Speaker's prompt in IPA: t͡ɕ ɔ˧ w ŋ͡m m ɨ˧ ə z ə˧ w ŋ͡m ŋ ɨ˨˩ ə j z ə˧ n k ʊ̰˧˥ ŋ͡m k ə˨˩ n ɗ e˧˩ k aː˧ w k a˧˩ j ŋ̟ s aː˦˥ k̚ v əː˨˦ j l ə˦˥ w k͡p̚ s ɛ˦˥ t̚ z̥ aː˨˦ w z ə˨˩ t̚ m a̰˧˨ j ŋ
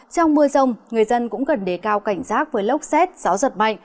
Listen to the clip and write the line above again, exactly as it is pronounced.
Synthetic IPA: t͡ɕ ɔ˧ w ŋ͡m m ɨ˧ ə z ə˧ w ŋ͡m ŋ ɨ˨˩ ə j z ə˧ n k ʊ̰˧˥ ŋ͡m k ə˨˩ n ɗ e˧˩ k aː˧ w k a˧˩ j ŋ̟ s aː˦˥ k̚ v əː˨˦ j l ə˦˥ w k͡p̚ s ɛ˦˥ t̚ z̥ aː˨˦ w z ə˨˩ t̚ m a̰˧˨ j ŋ